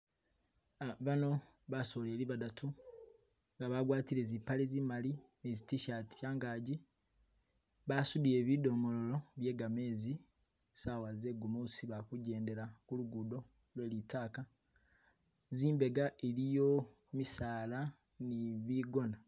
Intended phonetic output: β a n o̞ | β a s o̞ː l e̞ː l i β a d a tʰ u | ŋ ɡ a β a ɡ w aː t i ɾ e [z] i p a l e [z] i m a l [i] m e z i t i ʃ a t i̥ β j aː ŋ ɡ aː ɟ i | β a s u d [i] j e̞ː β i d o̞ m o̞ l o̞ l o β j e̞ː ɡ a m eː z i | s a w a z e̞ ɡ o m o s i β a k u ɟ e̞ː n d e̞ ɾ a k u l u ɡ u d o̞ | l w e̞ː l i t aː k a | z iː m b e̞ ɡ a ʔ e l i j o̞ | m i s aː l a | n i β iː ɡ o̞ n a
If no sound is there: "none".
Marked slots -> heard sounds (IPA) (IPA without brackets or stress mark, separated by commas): z, z, i, i